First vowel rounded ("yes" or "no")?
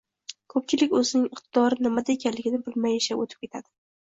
yes